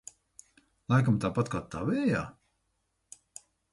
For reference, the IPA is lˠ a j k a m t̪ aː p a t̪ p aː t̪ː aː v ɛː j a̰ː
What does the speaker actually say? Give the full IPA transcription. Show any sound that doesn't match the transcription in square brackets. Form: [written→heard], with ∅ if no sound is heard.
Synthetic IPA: lˠ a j k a m t̪ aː p a t̪ [p→k] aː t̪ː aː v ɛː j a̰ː